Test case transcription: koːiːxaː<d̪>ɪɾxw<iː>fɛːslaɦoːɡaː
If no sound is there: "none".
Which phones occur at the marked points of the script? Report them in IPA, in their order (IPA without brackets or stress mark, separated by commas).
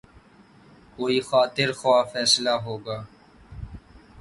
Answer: t̪, aː